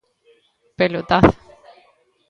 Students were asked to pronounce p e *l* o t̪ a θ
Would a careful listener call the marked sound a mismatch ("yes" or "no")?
no